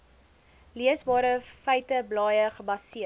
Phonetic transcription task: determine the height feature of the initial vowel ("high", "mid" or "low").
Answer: high